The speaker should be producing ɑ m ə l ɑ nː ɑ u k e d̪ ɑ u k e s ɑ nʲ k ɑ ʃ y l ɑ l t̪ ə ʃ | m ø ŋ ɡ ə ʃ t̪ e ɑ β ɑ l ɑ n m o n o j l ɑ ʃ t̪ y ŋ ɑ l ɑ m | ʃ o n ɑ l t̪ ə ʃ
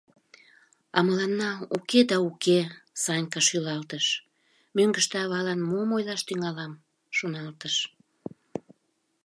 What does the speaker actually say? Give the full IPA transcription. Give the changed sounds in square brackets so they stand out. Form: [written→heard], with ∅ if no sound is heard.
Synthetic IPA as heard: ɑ m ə l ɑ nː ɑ u k e d̪ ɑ u k e s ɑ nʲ k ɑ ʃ y l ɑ l t̪ ə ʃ | m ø ŋ ɡ ə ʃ t̪ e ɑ β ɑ l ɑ n m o [n→m] o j l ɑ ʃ t̪ y ŋ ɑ l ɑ m | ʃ o n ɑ l t̪ ə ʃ